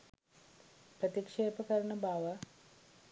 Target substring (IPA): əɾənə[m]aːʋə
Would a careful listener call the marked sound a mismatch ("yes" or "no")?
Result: yes